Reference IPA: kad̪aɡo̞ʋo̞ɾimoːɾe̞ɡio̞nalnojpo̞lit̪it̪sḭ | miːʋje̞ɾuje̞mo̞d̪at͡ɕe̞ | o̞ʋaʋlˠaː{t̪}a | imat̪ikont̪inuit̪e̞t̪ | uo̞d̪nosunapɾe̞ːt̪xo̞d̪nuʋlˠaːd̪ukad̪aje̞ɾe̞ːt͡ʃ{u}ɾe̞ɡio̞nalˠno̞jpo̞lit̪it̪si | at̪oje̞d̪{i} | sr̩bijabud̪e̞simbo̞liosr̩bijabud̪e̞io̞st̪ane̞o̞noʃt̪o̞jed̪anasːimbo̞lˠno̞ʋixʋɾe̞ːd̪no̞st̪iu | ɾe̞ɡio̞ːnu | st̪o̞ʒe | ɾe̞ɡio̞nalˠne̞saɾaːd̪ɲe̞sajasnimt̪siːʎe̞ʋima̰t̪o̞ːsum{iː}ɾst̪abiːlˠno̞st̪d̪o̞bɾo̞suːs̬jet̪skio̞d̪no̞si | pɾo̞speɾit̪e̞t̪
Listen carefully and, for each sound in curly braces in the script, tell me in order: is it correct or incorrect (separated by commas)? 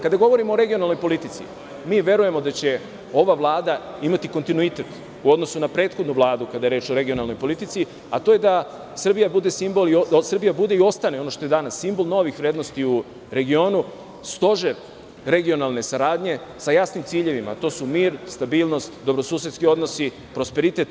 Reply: incorrect, incorrect, incorrect, correct